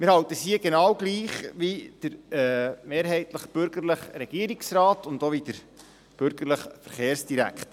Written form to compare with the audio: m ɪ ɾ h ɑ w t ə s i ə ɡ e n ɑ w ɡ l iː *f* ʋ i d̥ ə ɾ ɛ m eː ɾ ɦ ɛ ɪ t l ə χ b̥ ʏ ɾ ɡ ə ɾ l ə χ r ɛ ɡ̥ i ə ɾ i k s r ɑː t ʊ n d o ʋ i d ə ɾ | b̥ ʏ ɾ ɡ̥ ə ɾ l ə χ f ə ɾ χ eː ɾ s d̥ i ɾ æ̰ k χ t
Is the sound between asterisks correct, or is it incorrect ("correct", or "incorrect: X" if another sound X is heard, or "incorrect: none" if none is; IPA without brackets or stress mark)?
incorrect: χ